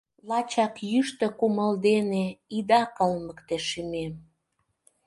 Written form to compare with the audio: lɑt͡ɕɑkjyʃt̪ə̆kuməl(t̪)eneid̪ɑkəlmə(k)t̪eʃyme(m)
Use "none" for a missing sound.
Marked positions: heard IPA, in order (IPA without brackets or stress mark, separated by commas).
d̪, k, m